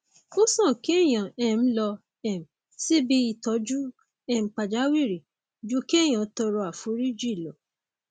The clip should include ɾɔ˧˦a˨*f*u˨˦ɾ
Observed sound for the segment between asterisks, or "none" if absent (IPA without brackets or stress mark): f